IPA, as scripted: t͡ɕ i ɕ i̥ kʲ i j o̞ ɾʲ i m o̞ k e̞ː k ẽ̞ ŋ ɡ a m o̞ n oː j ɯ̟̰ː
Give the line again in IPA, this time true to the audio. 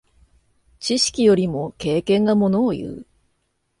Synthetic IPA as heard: t͡ɕ i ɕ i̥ kʲ i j o̞ ɾʲ i m o̞ k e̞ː k ẽ̞ ŋ ɡ a m o̞ n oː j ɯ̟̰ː